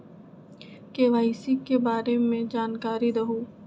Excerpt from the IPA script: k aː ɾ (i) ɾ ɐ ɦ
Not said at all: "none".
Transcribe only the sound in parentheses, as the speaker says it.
i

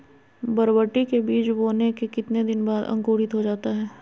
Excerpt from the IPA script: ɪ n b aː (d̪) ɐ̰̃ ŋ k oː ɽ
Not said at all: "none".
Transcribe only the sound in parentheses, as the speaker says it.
d̪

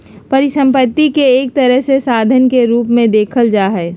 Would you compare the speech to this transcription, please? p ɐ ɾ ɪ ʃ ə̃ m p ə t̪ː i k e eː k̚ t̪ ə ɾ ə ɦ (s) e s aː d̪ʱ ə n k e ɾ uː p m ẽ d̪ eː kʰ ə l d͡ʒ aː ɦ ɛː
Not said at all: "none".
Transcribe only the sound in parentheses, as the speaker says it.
s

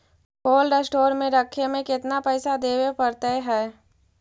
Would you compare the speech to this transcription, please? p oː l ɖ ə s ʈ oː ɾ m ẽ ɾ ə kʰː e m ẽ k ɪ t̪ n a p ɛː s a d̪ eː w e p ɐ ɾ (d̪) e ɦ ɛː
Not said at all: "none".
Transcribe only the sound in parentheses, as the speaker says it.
t̪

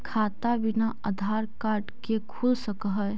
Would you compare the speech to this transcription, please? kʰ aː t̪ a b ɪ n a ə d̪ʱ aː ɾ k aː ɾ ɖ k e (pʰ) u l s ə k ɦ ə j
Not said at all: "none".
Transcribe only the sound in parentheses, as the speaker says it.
kʰ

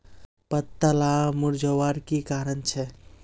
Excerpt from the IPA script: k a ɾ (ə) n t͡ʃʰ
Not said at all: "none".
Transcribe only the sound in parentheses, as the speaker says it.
ə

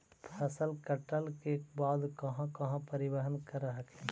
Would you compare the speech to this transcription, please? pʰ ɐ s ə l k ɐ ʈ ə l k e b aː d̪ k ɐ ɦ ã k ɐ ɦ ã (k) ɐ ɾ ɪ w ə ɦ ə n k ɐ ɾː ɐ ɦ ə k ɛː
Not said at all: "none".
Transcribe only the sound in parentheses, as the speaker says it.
p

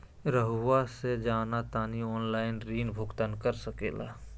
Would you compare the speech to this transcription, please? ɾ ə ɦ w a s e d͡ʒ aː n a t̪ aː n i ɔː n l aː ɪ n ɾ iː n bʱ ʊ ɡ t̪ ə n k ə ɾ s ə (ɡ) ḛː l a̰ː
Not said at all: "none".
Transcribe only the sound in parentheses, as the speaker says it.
k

